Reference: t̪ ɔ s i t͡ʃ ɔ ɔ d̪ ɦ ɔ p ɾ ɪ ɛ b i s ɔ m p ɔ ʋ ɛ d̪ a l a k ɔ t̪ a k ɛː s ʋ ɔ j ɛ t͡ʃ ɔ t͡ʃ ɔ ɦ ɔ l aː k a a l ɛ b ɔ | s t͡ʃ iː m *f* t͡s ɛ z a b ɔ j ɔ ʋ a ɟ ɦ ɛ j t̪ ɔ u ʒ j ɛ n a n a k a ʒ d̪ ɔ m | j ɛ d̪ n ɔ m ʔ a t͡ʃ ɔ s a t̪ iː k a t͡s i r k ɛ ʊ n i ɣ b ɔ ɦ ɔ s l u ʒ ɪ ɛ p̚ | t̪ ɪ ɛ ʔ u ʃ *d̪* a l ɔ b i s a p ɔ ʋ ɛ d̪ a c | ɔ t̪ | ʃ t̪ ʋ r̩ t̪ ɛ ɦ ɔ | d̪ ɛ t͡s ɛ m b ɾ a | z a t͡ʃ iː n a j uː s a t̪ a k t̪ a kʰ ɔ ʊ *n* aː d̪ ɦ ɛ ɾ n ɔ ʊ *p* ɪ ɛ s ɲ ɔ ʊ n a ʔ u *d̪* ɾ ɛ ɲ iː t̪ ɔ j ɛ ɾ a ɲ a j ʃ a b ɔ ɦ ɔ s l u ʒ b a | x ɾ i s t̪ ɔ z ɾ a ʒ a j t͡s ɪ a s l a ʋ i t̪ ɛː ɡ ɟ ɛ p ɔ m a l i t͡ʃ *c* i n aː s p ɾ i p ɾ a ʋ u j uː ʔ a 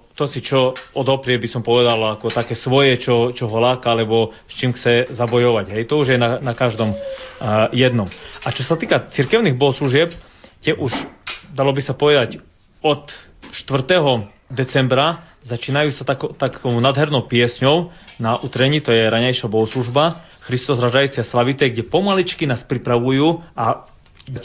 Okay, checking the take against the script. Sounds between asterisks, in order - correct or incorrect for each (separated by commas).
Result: incorrect, correct, correct, correct, incorrect, incorrect